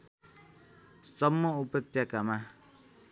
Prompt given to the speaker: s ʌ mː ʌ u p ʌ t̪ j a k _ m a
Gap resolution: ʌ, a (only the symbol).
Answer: a